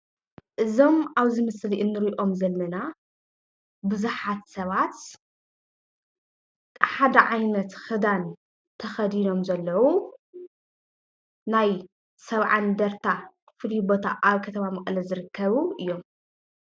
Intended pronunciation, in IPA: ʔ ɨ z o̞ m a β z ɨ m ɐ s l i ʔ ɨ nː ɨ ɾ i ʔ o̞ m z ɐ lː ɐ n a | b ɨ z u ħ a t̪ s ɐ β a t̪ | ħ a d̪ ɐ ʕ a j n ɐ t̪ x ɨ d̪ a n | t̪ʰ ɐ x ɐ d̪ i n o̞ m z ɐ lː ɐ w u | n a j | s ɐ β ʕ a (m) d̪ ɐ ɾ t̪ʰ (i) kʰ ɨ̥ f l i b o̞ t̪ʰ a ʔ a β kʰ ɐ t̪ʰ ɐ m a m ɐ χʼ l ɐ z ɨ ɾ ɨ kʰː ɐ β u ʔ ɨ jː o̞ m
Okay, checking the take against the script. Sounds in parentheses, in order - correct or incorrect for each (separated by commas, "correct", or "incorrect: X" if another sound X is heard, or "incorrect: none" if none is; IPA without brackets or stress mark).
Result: incorrect: n, incorrect: a